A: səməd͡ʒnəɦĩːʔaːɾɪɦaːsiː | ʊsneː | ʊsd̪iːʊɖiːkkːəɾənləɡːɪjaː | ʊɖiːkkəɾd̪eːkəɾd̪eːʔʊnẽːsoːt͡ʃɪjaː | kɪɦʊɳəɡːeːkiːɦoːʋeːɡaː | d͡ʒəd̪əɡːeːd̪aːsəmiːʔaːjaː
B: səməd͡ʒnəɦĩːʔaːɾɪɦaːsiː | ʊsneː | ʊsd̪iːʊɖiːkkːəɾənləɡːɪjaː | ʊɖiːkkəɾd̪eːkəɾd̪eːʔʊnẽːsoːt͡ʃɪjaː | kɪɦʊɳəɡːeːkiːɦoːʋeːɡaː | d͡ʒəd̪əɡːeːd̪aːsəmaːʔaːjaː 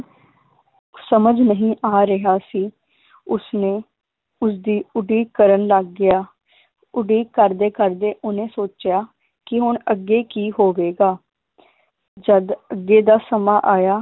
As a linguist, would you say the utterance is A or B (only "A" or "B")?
B